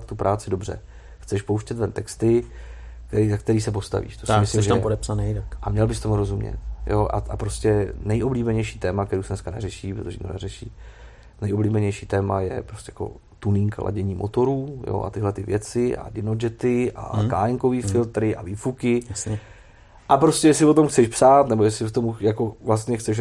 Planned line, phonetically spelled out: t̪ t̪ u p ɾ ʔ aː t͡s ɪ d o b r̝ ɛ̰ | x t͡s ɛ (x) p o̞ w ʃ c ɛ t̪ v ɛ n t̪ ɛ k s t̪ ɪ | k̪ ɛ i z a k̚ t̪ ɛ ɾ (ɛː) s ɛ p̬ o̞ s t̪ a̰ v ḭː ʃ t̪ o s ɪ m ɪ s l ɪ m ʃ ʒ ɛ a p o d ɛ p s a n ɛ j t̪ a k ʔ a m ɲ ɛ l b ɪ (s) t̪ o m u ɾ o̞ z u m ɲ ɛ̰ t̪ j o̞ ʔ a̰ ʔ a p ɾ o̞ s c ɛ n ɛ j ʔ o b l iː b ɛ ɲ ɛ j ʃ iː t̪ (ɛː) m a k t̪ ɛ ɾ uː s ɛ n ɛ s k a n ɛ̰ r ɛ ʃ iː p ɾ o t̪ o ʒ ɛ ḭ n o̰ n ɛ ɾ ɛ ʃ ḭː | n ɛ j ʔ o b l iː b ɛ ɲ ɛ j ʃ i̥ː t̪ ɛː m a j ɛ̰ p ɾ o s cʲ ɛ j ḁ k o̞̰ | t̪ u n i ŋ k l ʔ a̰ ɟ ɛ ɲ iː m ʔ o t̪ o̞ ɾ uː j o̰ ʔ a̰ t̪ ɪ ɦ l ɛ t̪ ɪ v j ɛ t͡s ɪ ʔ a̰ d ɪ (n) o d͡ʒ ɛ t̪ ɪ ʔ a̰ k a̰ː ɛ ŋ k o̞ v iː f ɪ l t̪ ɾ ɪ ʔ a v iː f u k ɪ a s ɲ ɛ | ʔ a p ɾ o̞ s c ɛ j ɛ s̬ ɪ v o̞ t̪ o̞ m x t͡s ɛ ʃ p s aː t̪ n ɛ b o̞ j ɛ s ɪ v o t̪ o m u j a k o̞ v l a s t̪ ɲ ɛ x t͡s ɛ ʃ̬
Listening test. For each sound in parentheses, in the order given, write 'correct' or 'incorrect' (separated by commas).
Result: incorrect, incorrect, correct, correct, correct